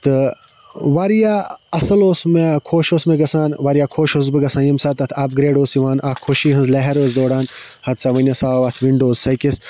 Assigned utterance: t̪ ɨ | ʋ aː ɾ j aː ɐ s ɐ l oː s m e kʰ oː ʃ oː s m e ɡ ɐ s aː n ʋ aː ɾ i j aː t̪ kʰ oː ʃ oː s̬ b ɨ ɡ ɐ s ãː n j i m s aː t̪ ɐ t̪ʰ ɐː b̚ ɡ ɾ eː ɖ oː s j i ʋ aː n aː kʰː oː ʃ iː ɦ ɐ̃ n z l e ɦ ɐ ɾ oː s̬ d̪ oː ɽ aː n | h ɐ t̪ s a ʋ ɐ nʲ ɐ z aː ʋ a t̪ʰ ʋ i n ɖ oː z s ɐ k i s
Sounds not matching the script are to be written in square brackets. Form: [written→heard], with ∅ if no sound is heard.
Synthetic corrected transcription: t̪ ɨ | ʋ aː ɾ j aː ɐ s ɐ l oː s m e kʰ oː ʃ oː s m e ɡ ɐ s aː n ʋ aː ɾ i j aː [t̪→∅] kʰ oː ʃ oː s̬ b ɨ ɡ ɐ s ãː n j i m s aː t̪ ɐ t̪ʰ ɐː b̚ ɡ ɾ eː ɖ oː s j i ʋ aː n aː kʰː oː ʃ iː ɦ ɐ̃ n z l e ɦ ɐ ɾ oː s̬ d̪ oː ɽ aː n | h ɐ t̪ s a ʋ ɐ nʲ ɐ [z→s] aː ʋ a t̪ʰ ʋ i [n→ɳ] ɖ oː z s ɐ k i s